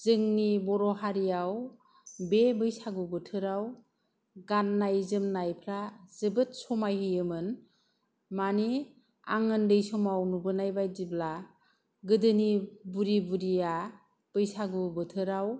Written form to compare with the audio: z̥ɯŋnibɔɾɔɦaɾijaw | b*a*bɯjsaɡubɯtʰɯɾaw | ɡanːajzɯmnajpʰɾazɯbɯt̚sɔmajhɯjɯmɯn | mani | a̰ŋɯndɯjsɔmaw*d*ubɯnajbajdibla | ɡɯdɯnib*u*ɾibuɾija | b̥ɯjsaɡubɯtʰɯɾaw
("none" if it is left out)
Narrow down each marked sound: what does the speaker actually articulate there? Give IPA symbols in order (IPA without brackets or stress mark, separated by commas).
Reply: e, n, u